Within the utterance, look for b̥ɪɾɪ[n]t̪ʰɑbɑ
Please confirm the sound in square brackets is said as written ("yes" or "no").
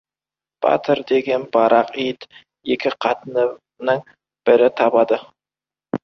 no